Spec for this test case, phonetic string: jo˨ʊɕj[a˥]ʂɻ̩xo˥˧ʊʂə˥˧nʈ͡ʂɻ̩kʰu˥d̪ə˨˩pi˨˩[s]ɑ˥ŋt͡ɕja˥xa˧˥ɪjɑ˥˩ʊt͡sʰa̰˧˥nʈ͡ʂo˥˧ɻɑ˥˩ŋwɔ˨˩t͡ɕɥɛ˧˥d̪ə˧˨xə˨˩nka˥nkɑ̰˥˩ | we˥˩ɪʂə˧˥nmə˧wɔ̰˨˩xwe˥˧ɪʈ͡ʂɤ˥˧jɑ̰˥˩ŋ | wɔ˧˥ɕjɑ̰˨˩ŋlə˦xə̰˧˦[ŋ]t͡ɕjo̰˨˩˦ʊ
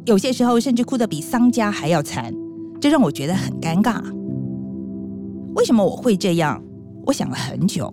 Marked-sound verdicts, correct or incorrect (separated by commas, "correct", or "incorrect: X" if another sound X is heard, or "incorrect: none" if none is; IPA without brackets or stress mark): incorrect: ɛ˥, correct, incorrect: n